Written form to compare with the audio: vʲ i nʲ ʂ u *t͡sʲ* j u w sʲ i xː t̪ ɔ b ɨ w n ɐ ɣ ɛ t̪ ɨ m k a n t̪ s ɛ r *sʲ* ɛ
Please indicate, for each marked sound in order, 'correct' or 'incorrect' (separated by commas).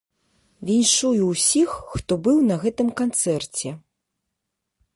incorrect, incorrect